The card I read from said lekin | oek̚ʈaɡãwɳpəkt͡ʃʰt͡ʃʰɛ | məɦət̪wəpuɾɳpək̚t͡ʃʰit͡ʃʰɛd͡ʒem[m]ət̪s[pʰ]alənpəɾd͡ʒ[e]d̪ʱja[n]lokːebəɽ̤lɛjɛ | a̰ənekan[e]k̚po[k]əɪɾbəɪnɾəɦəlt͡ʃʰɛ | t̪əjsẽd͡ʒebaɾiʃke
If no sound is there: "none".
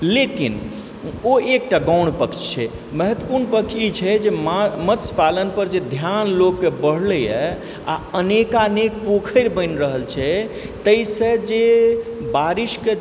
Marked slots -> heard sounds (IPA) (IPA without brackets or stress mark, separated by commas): m, p, e, n, e, kʰ